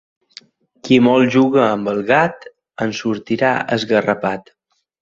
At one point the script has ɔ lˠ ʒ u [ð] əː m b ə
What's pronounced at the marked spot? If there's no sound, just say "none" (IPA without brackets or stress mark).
ɣ